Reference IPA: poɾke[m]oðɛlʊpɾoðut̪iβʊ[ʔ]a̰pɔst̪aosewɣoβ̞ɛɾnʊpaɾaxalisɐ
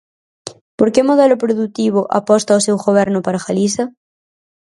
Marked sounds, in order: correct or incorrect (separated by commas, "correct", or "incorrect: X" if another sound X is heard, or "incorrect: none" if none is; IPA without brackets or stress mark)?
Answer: correct, correct